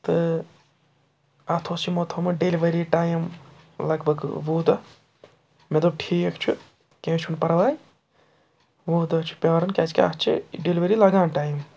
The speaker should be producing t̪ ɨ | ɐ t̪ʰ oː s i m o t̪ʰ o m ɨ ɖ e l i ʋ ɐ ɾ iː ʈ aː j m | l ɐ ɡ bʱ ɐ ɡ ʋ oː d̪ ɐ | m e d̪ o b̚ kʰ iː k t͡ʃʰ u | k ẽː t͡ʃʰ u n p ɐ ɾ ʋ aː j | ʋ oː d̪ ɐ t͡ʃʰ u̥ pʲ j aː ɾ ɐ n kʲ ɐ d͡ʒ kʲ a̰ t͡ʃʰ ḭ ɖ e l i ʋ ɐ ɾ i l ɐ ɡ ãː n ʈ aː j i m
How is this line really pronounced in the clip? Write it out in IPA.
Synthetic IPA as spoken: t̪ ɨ | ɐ t̪ʰ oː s i m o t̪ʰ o m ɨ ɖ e l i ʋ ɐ ɾ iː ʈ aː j m | l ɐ ɡ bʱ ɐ ɡ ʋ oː d̪ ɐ | m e d̪ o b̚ ʈʰ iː k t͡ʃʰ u | k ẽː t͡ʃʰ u n p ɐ ɾ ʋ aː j | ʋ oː d̪ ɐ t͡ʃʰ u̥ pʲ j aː ɾ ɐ n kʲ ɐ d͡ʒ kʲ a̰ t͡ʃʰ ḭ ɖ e l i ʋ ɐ ɾ i l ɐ ɡ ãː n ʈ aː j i m